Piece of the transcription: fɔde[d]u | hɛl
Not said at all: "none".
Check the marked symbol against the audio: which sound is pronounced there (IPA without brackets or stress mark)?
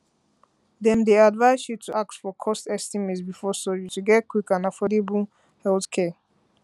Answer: b